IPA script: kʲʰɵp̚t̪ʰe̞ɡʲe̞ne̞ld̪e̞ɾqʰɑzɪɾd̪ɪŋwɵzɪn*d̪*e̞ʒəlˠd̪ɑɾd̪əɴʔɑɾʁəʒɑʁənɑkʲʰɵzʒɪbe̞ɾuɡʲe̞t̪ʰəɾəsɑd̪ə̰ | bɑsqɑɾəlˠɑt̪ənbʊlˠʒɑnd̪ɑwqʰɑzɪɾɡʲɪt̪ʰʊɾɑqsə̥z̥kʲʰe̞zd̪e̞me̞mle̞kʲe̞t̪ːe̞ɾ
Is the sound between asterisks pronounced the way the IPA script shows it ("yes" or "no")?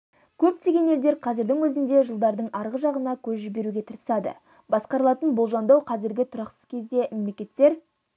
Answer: yes